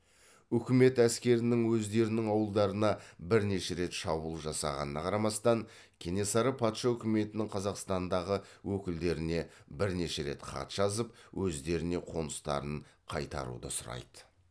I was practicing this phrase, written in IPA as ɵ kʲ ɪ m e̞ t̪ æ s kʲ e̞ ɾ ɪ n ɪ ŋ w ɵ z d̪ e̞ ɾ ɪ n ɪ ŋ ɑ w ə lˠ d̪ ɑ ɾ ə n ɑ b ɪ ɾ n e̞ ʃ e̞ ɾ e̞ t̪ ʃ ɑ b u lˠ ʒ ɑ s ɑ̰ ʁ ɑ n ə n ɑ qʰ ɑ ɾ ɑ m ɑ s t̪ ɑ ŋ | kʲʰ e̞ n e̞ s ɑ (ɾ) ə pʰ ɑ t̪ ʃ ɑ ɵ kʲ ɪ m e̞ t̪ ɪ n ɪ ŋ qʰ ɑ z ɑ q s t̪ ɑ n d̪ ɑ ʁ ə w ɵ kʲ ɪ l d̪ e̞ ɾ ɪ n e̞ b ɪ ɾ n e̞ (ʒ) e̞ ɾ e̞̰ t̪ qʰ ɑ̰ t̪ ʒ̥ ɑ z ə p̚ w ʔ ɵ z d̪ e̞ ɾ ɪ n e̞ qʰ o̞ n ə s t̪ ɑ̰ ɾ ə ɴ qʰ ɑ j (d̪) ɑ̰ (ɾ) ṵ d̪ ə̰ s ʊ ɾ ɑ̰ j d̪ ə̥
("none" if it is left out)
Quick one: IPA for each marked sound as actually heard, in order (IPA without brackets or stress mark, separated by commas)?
ɾ, ʃ, t̪, ɾ